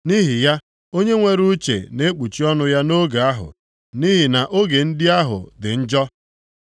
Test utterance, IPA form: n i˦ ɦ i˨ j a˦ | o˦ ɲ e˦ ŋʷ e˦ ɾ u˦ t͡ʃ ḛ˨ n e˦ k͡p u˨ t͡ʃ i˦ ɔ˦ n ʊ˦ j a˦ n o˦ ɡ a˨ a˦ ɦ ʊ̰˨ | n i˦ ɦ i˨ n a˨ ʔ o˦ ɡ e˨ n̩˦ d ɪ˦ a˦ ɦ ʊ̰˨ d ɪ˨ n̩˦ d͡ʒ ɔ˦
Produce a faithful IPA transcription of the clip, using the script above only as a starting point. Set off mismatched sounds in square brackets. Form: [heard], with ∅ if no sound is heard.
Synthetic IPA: n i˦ ɦ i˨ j a˦ | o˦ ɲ e˦ ŋʷ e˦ ɾ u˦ t͡ʃ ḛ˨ n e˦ k͡p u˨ t͡ʃ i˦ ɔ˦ n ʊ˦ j a˦ n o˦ ɡ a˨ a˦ ɦ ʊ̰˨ | n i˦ ɦ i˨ n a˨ ʔ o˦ ɡ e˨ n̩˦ d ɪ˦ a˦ ɦ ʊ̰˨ d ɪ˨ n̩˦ d͡ʒ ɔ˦